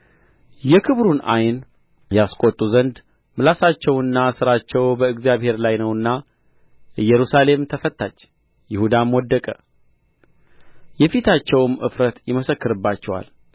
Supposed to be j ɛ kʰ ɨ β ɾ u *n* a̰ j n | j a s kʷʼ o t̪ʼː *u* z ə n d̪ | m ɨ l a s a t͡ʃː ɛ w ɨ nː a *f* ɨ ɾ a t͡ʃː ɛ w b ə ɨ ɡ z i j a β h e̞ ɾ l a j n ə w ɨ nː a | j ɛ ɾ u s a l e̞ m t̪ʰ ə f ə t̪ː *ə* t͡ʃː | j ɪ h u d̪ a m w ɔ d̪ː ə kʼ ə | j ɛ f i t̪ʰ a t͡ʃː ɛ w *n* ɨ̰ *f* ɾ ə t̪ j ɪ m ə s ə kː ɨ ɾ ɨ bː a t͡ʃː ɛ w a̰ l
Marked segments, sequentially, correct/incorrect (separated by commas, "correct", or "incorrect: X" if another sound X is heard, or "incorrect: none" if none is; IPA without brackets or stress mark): correct, correct, incorrect: s, incorrect: a, incorrect: m, correct